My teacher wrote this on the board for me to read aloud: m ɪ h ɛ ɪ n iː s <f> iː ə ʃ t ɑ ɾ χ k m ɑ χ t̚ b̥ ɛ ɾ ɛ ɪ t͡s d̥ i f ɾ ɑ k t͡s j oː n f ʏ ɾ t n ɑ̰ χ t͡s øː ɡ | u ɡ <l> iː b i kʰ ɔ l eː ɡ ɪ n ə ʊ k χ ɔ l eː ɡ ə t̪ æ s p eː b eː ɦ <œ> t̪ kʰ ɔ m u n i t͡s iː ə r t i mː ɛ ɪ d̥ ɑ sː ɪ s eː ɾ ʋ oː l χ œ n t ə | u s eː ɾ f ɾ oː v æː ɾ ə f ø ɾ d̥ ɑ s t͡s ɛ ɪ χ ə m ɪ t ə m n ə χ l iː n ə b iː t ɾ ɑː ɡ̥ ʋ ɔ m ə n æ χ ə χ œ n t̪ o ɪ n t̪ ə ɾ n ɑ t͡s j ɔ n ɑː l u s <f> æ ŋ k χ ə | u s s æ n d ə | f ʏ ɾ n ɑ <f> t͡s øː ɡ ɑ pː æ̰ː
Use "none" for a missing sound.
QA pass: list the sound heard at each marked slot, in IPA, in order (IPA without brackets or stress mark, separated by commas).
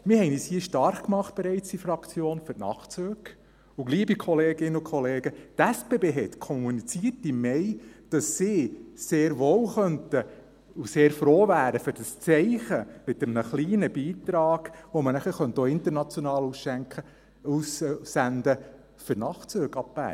h, l, ɛ, ʃ, χ